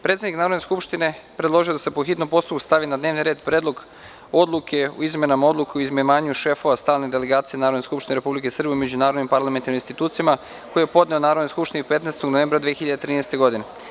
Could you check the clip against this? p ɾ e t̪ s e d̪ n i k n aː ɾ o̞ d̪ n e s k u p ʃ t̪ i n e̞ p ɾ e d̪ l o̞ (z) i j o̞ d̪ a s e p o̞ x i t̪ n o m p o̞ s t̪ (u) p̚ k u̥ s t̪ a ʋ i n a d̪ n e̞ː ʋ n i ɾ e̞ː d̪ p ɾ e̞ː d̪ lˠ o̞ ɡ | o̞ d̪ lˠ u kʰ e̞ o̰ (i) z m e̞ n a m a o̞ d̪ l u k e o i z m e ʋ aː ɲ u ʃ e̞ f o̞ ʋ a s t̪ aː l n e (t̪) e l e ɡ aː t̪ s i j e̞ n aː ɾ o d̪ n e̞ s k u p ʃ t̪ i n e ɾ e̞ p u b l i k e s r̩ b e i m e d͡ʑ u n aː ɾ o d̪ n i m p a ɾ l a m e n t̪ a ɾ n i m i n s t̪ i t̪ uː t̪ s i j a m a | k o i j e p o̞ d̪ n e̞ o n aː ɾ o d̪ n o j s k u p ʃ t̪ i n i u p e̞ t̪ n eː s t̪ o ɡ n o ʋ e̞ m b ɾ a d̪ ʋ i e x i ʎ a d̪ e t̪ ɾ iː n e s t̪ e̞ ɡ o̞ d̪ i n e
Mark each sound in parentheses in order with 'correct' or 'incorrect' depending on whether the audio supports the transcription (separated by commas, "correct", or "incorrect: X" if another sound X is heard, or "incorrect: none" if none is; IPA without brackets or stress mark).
incorrect: ʒ, correct, correct, incorrect: d̪